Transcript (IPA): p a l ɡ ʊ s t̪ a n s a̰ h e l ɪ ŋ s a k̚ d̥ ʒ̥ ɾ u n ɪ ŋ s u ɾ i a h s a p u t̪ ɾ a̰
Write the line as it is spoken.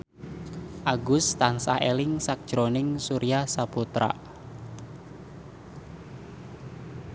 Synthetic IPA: ʔ a ɡ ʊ s t̪ a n s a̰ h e l ɪ ŋ s a k̚ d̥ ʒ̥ ɾ o n ɪ ŋ s u ɾ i a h s a p u t̪ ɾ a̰